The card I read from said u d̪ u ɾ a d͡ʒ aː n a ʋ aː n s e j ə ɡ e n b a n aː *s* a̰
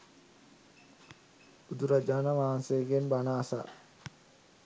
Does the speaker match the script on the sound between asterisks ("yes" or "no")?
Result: yes